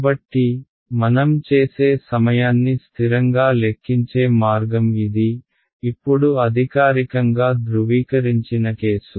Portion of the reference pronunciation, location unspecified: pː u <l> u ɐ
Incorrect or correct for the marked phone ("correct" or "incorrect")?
incorrect